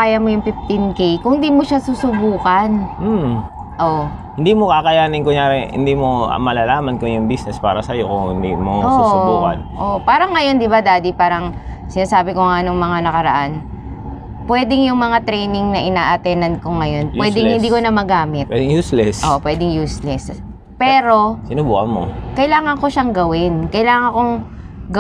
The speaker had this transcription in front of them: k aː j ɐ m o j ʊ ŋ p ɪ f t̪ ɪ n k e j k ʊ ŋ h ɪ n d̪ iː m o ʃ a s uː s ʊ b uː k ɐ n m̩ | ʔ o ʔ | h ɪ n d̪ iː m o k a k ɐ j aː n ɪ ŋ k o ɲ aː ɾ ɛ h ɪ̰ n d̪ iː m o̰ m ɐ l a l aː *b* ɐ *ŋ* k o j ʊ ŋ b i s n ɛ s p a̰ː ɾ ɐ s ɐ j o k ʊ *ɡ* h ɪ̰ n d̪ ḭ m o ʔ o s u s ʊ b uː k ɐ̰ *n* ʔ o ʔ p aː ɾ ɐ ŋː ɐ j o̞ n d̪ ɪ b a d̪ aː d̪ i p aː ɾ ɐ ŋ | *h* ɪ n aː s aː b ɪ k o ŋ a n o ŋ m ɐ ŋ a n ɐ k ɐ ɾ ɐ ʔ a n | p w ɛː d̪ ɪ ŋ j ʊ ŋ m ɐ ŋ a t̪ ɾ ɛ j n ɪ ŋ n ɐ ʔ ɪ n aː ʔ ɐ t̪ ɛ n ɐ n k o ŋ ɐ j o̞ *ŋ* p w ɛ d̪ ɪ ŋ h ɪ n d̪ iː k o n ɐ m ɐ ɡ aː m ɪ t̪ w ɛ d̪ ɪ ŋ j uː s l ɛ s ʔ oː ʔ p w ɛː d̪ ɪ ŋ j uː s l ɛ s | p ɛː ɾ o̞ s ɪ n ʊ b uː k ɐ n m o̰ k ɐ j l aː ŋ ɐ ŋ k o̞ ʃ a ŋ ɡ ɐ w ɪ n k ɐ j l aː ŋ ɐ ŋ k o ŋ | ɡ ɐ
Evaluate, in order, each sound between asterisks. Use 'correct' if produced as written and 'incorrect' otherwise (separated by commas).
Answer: incorrect, incorrect, incorrect, correct, incorrect, incorrect